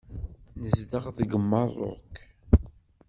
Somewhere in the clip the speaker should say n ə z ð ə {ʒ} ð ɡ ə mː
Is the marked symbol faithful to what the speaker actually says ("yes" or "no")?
no